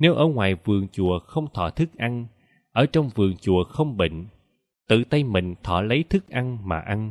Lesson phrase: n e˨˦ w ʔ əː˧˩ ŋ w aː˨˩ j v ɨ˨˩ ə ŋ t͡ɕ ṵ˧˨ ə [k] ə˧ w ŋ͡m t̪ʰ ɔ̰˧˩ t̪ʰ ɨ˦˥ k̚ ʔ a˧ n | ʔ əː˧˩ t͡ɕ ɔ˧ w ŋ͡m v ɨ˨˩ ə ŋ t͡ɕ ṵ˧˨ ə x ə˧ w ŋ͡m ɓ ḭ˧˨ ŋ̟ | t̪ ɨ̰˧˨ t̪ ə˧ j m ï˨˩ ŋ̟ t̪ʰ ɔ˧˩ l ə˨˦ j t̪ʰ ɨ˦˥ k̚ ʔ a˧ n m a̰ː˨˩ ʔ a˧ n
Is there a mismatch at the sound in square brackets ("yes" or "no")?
yes